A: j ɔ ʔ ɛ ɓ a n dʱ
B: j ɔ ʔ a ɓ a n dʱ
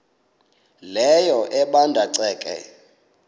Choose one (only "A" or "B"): A